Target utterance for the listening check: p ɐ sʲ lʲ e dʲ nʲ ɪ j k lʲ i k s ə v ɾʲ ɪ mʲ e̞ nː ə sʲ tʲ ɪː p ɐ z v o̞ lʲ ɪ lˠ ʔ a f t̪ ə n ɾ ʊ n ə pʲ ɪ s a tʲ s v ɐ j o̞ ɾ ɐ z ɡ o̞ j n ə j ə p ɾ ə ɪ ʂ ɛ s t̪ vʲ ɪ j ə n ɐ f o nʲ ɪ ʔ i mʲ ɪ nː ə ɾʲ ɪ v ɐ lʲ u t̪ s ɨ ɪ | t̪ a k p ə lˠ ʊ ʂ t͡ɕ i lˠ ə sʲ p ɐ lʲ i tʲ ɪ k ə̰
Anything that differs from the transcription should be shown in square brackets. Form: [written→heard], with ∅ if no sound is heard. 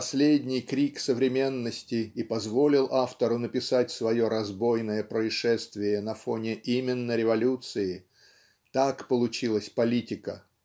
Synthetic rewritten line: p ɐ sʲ lʲ e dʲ nʲ ɪ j k [lʲ→ɾʲ] i k s ə v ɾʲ ɪ mʲ e̞ nː ə sʲ tʲ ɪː p ɐ z v o̞ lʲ ɪ lˠ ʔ a f t̪ ə [n→∅] ɾ ʊ n ə pʲ ɪ s a tʲ s v ɐ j o̞ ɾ ɐ z [ɡ→b] o̞ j n ə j ə p ɾ ə ɪ ʂ ɛ s t̪ vʲ ɪ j ə n ɐ f o nʲ ɪ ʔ i mʲ ɪ nː ə ɾʲ ɪ v ɐ lʲ u t̪ s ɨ ɪ | t̪ a k p ə lˠ ʊ [ʂ→∅] t͡ɕ i lˠ ə sʲ p ɐ lʲ i tʲ ɪ k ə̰